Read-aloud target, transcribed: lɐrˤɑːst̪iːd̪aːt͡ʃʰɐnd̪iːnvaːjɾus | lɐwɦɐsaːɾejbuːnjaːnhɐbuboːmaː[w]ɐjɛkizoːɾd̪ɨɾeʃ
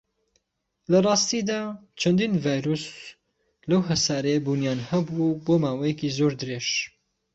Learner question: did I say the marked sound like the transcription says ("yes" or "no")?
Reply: yes